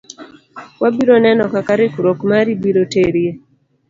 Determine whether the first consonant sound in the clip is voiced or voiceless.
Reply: voiced